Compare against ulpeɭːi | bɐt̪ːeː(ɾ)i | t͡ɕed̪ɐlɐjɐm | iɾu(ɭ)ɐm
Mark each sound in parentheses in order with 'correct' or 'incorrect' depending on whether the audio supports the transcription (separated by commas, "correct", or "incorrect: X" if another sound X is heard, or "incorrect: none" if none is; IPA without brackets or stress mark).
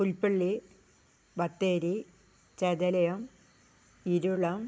correct, correct